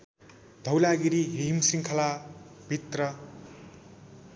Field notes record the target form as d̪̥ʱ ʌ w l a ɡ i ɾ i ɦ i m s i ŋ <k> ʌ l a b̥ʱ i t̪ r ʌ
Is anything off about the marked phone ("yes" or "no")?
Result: yes